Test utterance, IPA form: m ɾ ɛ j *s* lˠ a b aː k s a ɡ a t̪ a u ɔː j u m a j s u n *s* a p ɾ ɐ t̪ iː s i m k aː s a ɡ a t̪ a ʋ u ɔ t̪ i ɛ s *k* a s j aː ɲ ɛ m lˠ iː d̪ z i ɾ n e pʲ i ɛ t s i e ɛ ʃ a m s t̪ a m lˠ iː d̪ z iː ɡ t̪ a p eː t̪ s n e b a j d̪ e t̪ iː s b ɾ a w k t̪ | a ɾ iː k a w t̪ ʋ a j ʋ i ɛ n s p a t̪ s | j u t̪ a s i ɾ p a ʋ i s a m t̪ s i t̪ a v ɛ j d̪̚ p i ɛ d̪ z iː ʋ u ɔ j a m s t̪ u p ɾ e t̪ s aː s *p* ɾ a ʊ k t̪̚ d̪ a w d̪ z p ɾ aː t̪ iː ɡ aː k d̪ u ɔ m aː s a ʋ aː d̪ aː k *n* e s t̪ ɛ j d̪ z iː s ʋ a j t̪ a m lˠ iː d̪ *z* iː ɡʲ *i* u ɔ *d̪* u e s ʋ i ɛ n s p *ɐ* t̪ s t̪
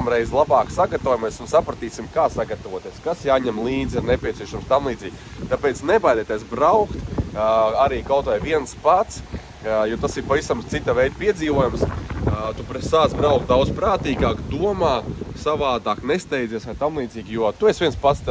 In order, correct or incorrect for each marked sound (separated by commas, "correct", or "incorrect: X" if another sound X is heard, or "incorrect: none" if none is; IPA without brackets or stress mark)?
incorrect: z, correct, correct, incorrect: b, correct, correct, incorrect: j, incorrect: t̪, incorrect: a